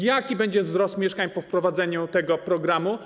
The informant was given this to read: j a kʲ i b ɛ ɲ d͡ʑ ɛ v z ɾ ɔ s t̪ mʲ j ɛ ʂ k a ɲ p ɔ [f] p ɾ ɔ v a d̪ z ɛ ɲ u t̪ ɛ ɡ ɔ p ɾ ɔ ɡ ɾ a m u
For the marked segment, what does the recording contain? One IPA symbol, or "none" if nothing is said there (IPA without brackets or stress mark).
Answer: f